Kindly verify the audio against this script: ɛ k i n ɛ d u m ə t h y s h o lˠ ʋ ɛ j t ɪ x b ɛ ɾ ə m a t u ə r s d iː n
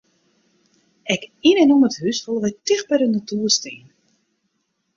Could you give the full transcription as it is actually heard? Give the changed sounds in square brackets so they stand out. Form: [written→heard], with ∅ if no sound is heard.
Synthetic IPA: ɛ k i n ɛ [d→n] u m ə t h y s [h→f] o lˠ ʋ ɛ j t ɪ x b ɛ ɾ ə [m→n] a t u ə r s [d→t] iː n